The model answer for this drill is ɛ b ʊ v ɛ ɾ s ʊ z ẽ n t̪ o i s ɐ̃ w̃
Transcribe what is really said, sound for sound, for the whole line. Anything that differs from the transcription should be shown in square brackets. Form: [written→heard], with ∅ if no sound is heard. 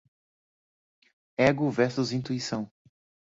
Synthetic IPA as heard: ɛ [b→ɡ] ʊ v ɛ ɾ s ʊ z [ẽ→ĩ] n t̪ [o→u] i s ɐ̃ w̃